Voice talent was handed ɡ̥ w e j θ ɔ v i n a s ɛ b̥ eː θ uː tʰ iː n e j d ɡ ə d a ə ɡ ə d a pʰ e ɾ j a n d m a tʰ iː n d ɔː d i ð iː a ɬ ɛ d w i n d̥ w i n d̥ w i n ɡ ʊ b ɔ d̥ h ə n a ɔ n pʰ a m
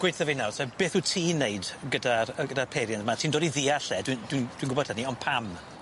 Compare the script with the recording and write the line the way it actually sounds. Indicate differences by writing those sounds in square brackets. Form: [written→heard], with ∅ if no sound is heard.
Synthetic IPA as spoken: ɡ̥ w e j θ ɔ v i n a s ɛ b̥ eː θ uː tʰ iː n e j d ɡ ə d a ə ɡ ə d a pʰ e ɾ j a n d m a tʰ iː n d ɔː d i ð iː a ɬ ɛ d w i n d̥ w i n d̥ w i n ɡ ʊ b ɔ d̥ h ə n [a→i] ɔ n pʰ a m